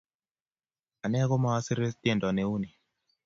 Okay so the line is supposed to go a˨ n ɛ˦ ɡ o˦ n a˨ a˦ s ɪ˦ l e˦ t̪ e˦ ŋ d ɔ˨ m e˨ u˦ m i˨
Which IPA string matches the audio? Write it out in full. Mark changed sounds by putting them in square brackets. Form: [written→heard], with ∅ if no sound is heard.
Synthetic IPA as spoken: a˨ n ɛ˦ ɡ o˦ [n→m] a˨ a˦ s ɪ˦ [l→ɾ] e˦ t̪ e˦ [ŋ→n] d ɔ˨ [m→n] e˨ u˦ [m→n] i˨

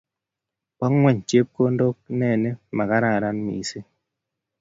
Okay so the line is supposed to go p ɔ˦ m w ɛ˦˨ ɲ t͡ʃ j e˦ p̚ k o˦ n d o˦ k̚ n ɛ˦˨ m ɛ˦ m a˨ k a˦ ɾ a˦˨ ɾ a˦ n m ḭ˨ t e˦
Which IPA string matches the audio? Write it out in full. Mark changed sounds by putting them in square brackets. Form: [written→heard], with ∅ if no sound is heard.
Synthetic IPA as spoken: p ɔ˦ [m→ŋ] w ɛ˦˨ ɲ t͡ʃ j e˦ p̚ k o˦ n d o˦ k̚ n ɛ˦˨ [m→n] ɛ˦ m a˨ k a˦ ɾ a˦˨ ɾ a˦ n m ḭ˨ [t→s] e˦

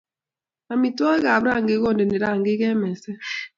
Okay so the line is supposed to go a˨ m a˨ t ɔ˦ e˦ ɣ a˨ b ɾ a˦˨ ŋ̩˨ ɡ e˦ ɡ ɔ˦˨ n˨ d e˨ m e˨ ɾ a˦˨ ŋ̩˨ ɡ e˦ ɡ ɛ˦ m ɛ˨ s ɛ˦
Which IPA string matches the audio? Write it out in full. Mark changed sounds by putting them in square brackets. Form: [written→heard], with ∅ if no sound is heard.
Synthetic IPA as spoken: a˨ m [a˨→i˨] t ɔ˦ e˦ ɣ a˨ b ɾ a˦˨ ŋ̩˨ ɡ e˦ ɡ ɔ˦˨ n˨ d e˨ [m→n] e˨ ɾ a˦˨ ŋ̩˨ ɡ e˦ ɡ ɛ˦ m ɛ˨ s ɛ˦

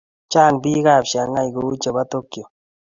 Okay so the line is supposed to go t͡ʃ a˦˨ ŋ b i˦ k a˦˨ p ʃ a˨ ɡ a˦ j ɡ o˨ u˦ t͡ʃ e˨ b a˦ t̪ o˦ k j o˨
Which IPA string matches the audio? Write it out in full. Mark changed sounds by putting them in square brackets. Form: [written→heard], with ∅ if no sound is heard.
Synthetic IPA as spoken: t͡ʃ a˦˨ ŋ b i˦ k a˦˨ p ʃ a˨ [ɡ→ŋ] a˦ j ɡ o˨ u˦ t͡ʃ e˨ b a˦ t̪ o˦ k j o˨

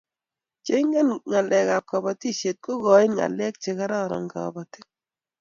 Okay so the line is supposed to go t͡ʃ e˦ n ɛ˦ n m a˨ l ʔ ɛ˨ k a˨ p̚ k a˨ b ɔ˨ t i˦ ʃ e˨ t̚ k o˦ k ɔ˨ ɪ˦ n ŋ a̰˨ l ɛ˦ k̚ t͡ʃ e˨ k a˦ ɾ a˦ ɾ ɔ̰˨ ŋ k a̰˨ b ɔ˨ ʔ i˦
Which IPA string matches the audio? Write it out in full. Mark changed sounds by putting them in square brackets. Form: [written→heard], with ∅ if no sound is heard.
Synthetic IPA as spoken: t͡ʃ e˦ [n→ŋ] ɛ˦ n [m→ŋ] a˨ l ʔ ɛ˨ k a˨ p̚ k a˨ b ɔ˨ t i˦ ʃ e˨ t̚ k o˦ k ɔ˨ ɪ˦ n ŋ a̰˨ l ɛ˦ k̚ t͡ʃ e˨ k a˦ ɾ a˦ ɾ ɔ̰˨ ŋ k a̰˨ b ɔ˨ [ʔ→t] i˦

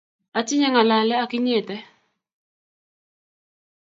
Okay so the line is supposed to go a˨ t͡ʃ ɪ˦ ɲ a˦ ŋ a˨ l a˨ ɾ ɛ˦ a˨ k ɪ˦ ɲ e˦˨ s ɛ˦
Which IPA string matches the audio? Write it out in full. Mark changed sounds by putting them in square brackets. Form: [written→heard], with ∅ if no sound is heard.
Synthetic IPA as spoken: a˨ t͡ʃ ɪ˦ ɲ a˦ ŋ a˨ l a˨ [ɾ→l] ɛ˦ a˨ k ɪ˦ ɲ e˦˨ [s→t] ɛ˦

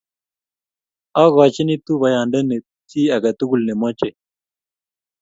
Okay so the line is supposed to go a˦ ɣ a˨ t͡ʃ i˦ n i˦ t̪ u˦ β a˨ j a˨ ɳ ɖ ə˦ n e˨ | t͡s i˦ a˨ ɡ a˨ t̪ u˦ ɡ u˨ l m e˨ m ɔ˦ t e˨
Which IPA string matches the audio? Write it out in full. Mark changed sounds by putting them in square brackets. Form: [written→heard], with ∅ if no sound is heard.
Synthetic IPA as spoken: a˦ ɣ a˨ t͡ʃ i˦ n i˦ t̪ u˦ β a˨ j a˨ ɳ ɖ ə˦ n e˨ | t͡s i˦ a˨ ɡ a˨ t̪ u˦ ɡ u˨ l [m→n] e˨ m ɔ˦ [t→t͡ʃ] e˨

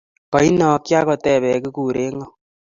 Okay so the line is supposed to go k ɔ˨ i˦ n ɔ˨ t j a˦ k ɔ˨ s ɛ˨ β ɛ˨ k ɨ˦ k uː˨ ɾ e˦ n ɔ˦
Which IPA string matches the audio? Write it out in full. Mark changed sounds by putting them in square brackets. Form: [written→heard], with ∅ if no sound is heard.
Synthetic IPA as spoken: k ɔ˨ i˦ n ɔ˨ [t→k] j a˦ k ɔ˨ [s→t] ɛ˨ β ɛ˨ k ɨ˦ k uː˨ ɾ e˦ [n→ŋ] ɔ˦

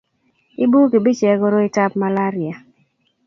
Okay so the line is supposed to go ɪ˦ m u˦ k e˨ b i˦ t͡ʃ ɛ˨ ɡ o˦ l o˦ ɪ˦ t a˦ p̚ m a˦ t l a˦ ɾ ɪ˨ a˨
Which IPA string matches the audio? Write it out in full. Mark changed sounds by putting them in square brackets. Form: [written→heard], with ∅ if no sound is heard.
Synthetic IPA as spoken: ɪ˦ [m→b] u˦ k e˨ b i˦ t͡ʃ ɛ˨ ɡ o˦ [l→ɾ] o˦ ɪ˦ t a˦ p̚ m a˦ [t→∅] l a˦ ɾ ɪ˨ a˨

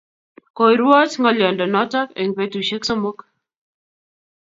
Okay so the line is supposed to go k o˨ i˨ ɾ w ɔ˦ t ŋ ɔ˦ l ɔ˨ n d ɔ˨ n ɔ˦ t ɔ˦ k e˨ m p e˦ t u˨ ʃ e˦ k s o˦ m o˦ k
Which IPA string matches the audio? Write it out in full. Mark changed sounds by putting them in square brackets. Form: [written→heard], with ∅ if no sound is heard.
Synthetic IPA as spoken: k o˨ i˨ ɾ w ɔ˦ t ŋ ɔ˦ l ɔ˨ n d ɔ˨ n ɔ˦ t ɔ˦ k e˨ [m→ŋ] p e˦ t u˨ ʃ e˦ k s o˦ m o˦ k

